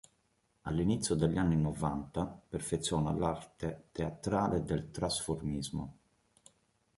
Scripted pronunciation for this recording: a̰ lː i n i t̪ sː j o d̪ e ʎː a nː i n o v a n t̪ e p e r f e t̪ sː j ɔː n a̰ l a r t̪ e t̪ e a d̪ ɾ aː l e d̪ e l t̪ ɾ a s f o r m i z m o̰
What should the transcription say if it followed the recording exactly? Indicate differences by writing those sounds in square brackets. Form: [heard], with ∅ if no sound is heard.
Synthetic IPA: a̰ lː i n i t̪ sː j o d̪ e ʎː a nː i n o v a n t̪ [a] p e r f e t̪ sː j ɔː n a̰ l a r t̪ e t̪ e a [t̪] ɾ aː l e d̪ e l t̪ ɾ a s f o r m i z m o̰